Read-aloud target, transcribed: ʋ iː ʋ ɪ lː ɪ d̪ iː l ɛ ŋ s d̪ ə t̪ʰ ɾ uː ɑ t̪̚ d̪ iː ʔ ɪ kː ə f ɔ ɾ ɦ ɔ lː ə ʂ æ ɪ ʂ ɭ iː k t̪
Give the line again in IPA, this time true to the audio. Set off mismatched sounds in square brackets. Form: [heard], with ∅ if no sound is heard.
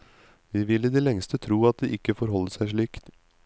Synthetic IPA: ʋ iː ʋ ɪ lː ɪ d̪ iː l ɛ ŋ s [t̪] ə t̪ʰ ɾ uː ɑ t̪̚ d̪ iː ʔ ɪ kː ə f ɔ ɾ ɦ ɔ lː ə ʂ æ ɪ ʂ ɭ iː k t̪